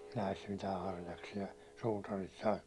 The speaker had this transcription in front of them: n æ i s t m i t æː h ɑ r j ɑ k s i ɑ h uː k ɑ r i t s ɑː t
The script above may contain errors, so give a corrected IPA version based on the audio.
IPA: n æ i s t m i t æː h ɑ r j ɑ k s i ɑ s uː t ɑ r i t s ɑː t